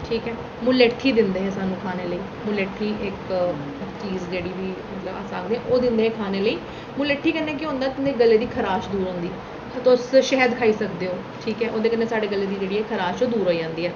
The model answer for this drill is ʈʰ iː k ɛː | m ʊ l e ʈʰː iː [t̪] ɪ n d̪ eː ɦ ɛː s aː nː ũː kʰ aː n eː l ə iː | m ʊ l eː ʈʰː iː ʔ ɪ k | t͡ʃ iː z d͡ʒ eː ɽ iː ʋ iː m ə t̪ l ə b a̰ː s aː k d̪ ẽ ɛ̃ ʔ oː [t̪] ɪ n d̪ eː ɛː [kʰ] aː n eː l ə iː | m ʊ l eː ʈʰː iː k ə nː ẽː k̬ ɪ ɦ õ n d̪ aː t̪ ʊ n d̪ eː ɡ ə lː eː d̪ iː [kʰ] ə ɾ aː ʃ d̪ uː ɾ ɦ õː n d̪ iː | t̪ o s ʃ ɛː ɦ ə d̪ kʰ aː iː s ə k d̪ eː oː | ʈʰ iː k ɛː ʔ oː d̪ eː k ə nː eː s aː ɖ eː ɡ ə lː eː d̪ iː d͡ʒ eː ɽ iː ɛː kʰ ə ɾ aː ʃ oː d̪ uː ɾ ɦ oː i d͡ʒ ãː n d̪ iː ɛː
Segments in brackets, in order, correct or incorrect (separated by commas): incorrect, incorrect, correct, correct